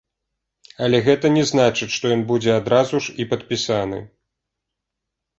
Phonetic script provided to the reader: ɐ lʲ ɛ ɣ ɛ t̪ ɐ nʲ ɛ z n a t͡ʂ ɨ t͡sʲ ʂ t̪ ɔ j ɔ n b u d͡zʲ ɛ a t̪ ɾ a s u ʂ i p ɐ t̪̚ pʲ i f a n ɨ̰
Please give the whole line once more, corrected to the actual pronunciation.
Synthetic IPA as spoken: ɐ lʲ ɛ ɣ ɛ t̪ ɐ nʲ ɛ z n a t͡ʂ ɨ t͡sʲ ʂ t̪ ɔ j ɔ n b u d͡zʲ ɛ a d̪ ɾ a z u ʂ i p ɐ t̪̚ pʲ i s a n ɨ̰